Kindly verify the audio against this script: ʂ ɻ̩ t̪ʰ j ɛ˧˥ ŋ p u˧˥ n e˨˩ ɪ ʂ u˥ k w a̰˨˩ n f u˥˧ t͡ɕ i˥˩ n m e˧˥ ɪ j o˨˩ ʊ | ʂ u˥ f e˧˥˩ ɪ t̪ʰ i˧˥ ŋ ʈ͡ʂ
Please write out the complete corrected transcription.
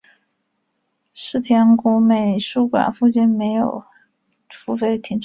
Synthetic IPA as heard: ʂ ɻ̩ t̪ʰ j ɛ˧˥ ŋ k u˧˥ m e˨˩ ɪ ʂ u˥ k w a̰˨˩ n f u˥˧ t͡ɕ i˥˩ n m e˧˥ ɪ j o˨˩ ʊ | f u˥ f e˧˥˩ ɪ t̪ʰ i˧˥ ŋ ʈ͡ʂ